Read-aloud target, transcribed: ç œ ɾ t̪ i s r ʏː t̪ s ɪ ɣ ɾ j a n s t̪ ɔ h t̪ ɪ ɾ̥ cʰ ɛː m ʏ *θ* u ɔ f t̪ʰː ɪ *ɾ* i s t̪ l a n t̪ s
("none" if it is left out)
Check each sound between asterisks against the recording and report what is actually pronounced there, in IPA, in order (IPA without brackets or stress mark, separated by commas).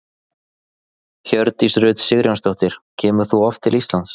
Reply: θ, l